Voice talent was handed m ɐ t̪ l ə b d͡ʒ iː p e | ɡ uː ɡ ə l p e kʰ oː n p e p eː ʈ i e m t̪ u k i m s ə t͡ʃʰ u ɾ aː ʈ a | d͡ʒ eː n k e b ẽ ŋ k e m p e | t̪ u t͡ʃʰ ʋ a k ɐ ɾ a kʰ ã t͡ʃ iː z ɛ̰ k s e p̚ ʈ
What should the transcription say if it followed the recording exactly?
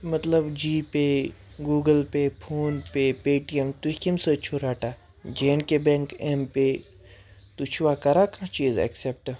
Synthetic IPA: m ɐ t̪ l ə b d͡ʒ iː p e | ɡ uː ɡ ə l p e pʰ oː n p e p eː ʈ i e m t̪ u k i m s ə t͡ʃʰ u ɾ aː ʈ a | d͡ʒ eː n k e b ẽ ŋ k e m p e | t̪ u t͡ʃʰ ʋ a k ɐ ɾ a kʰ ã t͡ʃ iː z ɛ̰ k s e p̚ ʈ

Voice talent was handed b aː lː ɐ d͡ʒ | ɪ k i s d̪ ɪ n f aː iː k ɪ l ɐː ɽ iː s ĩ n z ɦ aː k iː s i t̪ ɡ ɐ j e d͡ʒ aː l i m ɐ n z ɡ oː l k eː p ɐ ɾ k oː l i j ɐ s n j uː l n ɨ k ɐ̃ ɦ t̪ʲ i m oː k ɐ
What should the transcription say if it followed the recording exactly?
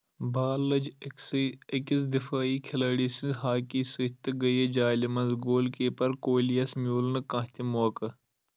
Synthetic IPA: b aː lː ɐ d͡ʒ | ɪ k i s d̪ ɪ f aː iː kʰ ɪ l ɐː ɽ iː s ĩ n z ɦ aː k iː s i t̪ ɡ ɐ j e d͡ʒ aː l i m ɐ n z ɡ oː l k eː p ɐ ɾ k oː l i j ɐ s m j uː l n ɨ k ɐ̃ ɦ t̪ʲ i m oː k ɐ

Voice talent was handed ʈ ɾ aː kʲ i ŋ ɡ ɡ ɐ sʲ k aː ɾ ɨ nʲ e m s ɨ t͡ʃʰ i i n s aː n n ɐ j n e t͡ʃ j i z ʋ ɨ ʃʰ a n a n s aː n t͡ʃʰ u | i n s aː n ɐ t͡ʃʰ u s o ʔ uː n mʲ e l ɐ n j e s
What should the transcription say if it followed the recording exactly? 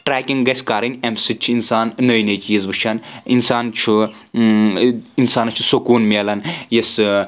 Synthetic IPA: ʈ ɾ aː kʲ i ŋ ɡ ɡ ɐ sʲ k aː ɾ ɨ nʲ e m s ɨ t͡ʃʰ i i n s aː n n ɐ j n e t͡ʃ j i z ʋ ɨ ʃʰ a n i n s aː n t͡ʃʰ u | i n s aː n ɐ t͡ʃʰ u s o k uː n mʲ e l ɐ n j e s

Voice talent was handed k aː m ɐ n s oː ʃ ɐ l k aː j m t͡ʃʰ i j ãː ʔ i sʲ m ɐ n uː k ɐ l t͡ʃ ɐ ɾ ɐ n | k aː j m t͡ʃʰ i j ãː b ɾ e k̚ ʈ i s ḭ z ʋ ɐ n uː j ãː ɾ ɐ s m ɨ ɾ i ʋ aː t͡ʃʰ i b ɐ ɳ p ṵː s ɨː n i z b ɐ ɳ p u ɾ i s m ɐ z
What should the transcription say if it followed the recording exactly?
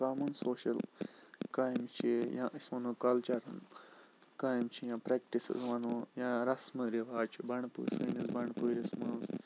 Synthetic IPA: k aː m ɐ n s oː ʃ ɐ l k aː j m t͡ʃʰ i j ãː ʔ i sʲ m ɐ n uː k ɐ l t͡ʃ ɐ ɾ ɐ n | k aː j m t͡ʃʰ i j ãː p ɾ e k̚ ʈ i s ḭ z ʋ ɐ n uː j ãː ɾ ɐ s m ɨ ɾ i ʋ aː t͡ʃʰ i b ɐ ɳ p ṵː s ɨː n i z b ɐ ɳ p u ɾ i s m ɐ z

